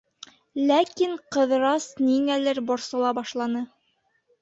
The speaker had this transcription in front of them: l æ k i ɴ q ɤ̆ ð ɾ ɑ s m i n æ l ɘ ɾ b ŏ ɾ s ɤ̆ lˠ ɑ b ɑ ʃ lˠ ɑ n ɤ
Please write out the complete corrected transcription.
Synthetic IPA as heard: l æ k i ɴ q ɤ̆ ð ɾ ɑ s n i ŋ æ l ɘ ɾ b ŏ ɾ s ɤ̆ lˠ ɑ b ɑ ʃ lˠ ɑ n ɤ